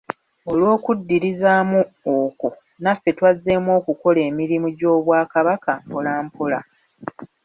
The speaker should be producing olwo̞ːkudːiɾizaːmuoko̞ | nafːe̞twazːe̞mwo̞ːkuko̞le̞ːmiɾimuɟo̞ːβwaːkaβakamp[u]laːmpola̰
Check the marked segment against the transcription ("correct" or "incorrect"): incorrect